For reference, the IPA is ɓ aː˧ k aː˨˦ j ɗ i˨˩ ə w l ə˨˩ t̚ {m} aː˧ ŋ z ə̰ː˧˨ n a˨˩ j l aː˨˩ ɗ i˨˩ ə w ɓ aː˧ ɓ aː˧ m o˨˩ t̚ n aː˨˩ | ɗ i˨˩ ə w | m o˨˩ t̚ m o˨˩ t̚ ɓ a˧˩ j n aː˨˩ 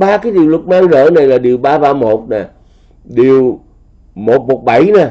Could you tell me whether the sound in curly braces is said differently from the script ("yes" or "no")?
no